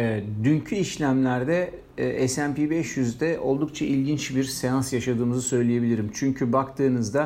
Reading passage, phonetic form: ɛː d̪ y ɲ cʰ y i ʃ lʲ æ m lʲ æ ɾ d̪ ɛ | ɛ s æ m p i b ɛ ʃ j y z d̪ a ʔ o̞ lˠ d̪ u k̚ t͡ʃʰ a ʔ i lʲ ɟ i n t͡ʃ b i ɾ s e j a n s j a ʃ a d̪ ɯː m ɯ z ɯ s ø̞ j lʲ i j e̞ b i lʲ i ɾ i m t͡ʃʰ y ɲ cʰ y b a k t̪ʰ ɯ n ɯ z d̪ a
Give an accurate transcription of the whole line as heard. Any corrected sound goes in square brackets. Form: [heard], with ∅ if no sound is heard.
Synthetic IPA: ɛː d̪ y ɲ cʰ y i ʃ lʲ æ m lʲ æ ɾ d̪ ɛ | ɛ s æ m p i b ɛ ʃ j y z d̪ [ɛ] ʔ o̞ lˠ d̪ u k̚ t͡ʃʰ a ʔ i lʲ ɟ i n t͡ʃ b i ɾ s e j a n s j a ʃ a d̪ ɯː m ɯ z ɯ s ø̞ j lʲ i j e̞ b i lʲ i ɾ i m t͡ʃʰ y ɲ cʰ y b a k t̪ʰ [ɯː] n ɯ z d̪ a